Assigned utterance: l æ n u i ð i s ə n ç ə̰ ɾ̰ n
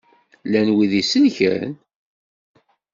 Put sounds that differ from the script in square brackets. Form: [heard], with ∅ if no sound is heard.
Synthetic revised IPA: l æ n [w] i ð i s ə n ç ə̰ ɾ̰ n